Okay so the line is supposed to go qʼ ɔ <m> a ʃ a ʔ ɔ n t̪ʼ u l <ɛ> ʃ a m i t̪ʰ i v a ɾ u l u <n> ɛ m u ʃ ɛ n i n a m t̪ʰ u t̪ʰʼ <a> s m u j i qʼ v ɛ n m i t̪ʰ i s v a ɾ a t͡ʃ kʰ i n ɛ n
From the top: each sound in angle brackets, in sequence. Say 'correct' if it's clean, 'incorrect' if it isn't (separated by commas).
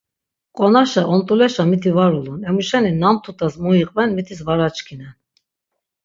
incorrect, correct, correct, correct